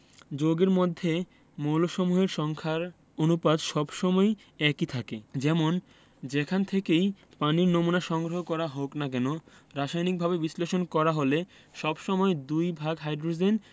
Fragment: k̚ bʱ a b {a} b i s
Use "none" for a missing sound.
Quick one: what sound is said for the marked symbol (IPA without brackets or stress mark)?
e